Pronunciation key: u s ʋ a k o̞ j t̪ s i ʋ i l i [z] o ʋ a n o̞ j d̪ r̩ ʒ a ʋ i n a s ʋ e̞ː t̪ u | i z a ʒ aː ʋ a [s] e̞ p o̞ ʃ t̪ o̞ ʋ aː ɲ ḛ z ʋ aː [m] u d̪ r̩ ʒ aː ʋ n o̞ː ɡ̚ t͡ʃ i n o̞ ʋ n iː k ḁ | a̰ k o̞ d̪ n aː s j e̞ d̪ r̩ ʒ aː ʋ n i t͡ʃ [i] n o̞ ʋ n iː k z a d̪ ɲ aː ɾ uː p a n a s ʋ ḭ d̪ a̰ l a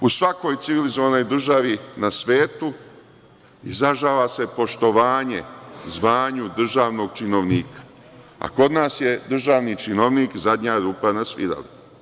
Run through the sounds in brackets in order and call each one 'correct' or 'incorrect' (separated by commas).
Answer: correct, correct, incorrect, correct